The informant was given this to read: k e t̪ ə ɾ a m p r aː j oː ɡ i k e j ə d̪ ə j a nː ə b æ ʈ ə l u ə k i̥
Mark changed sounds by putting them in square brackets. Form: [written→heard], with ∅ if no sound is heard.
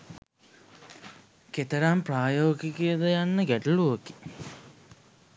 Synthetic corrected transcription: k e t̪ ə ɾ a m p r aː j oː ɡ i k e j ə d̪ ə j a nː ə [b→ɡ] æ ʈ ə l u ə k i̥